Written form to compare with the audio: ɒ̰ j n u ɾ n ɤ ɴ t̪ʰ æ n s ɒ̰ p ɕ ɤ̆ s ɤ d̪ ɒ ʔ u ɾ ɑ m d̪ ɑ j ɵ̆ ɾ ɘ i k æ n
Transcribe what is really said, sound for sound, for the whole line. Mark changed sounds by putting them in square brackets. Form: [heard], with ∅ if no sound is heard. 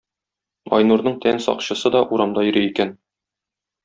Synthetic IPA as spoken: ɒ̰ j n u ɾ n ɤ ɴ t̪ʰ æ n s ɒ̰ [q] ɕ ɤ̆ s ɤ d̪ ɒ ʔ u ɾ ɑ m d̪ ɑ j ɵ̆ ɾ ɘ i k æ n